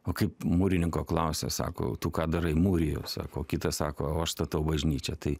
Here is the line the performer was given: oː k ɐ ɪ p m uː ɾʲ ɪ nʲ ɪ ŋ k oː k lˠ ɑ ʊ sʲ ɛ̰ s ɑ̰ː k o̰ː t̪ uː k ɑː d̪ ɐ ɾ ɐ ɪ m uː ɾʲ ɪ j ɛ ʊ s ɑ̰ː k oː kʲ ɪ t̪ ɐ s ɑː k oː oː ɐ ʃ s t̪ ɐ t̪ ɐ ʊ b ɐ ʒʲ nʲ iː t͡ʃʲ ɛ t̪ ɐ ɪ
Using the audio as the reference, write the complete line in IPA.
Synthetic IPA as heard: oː k ɐ ɪ p m uː ɾʲ ɪ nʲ ɪ ŋ k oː k lˠ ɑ ʊ sʲ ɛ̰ s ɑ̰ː k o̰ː t̪ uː k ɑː d̪ ɐ ɾ ɐ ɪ m uː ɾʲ ɪ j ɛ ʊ s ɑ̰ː k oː kʲ ɪ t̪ ɐ s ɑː k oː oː ɐ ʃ s t̪ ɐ t̪ ɐ ʊ b ɐ ʒʲ nʲ iː t͡ʃʲ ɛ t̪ ɐ ɪ